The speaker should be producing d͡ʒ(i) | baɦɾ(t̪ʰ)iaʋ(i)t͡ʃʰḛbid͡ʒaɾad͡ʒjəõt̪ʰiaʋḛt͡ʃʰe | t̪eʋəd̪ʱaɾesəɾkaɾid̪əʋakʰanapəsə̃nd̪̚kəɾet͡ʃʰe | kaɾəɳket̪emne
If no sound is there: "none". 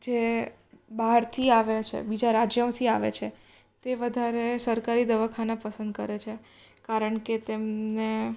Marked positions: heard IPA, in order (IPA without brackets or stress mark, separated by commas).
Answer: e, t̪ʰ, e